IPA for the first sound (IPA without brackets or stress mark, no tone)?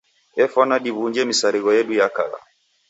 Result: ɛ